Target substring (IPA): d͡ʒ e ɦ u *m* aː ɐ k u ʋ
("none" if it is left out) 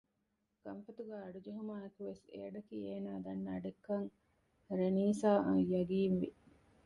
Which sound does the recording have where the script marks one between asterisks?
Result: m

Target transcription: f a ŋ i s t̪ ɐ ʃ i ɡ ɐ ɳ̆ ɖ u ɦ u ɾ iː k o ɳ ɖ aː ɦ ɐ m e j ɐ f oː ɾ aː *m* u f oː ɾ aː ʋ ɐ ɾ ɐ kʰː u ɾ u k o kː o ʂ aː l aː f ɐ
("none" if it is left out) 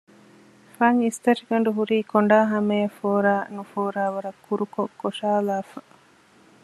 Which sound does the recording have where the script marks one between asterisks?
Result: n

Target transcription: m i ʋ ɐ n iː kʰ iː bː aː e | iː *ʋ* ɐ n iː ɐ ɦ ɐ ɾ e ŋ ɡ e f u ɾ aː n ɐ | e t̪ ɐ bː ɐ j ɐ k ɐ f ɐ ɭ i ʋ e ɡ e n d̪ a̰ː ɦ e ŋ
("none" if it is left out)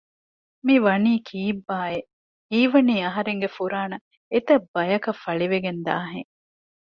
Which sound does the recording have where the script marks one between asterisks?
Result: ʋ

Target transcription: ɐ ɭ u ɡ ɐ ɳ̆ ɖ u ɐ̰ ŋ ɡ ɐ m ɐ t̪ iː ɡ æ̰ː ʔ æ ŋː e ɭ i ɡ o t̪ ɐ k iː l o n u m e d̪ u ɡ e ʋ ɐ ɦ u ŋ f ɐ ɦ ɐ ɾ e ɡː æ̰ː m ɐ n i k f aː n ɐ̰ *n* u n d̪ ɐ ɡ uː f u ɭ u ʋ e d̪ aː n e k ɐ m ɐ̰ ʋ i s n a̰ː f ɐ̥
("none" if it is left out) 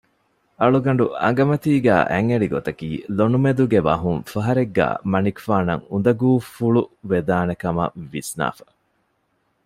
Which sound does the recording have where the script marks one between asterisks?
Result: ŋ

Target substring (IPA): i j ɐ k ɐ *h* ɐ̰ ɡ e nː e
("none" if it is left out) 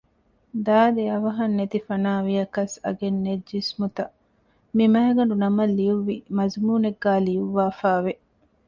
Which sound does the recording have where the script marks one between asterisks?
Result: s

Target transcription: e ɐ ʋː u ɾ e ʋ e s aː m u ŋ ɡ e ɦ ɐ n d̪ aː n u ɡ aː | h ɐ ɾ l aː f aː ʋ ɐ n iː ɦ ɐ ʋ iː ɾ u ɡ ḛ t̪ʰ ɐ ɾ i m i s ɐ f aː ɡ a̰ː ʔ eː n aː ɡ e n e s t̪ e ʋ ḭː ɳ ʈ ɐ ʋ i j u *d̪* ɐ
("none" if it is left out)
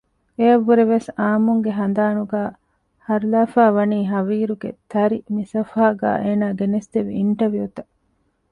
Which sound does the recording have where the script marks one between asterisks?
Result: t̪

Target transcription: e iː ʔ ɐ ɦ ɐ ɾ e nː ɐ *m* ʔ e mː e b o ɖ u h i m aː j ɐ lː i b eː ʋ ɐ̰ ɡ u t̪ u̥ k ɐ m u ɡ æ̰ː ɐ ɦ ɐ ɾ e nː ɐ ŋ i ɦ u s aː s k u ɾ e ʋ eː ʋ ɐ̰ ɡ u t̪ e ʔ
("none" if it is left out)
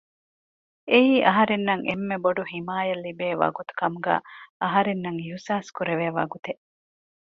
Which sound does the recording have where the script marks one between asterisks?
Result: ŋ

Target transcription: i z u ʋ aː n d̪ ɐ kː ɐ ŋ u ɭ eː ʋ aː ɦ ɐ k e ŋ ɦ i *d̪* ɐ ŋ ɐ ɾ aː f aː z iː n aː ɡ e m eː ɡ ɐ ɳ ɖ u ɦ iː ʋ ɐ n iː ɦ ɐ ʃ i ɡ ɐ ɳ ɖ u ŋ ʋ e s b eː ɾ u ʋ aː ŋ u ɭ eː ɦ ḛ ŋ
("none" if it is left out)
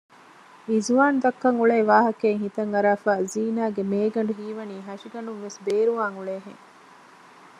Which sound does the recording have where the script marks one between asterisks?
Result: t̪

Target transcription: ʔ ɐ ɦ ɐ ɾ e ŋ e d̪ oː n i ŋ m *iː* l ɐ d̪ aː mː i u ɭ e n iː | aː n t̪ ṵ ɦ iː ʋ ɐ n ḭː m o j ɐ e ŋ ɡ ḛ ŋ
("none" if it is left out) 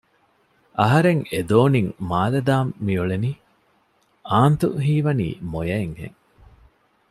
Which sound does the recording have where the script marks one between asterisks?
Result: aː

